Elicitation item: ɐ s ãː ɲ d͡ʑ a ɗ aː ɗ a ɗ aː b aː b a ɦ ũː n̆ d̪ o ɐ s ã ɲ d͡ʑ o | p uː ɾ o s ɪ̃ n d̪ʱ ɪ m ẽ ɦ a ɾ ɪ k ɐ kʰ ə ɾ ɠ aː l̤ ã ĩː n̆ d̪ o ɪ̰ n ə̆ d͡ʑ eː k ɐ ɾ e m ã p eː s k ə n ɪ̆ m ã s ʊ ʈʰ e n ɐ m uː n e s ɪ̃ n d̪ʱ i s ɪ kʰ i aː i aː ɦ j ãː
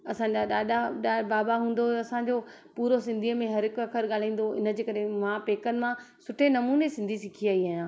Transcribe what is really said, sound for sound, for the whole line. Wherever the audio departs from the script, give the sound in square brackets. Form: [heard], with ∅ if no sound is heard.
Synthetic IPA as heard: ɐ s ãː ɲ d͡ʑ a ɗ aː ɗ a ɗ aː b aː b a ɦ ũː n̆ d̪ o ɐ s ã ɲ d͡ʑ o | p uː ɾ o s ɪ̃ n d̪ʱ [i] m ẽ ɦ [ɐ] ɾ ɪ k ɐ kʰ ə ɾ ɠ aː l̤ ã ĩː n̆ d̪ o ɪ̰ n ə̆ d͡ʑ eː k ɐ ɾ e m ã p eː [∅] k ə n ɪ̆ m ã s ʊ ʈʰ e n ɐ m uː n e s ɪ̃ n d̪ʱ i s ɪ kʰ i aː i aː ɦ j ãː